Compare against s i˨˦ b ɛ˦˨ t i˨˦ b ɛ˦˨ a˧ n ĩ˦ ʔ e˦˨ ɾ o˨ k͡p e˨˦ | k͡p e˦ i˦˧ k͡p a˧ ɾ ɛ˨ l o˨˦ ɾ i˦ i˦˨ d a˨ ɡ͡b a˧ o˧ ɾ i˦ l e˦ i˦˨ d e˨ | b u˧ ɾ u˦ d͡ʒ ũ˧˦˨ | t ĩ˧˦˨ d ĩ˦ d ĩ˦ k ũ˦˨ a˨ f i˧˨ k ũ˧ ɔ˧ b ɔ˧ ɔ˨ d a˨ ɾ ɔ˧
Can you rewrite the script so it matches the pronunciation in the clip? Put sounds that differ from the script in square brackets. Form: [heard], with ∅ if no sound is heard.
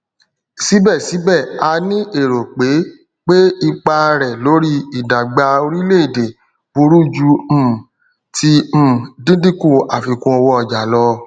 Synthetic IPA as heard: s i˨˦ b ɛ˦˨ [s] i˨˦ b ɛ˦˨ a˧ n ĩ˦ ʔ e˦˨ ɾ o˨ k͡p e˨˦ | k͡p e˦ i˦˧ k͡p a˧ ɾ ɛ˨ l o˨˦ ɾ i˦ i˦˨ d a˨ ɡ͡b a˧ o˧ ɾ i˦ l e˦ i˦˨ d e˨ | b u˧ ɾ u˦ d͡ʒ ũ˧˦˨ | t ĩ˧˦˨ d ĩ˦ d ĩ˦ k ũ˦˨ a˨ f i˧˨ k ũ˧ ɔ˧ [w] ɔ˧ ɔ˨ [d͡ʒ] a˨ [l] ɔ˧